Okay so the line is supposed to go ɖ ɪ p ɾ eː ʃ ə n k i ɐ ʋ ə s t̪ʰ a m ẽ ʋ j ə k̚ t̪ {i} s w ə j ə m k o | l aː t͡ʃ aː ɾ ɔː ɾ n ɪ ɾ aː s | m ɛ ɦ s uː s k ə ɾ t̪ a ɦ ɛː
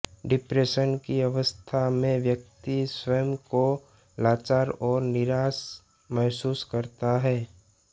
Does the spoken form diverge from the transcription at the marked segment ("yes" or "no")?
no